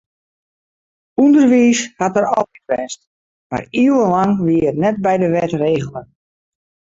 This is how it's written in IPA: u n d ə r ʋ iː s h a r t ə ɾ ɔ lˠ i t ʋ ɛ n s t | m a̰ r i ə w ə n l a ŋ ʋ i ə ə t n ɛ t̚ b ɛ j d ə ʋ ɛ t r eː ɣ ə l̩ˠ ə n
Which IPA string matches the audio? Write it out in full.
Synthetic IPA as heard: u n d ə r ʋ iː s h a t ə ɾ ɔ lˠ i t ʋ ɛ n s t | m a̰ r i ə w ə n l a ŋ ʋ i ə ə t n ɛ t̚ b ɛ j d ə ʋ ɛ t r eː ɣ ə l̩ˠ ə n